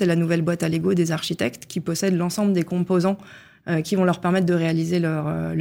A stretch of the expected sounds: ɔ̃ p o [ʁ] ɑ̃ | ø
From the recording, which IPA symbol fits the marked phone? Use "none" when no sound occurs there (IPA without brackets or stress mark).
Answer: z